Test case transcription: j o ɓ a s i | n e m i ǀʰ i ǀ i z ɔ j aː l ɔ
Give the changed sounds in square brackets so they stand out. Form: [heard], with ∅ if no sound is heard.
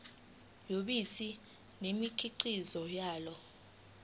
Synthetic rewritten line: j o ɓ [i] s i | n e m i [kʰ] i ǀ i z ɔ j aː l ɔ